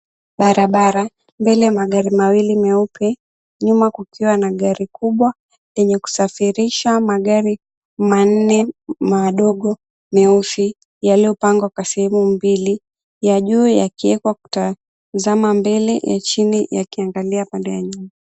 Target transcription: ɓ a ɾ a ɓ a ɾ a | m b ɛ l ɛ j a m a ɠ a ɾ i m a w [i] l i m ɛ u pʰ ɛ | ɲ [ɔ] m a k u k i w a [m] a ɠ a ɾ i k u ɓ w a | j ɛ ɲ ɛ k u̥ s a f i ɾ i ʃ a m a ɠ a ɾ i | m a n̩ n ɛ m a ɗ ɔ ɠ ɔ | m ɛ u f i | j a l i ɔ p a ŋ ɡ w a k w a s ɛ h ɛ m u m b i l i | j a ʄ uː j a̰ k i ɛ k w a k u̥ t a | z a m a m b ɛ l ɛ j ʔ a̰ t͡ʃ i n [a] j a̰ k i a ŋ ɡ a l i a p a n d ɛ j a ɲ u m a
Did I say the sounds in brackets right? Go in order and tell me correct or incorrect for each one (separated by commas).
correct, incorrect, incorrect, incorrect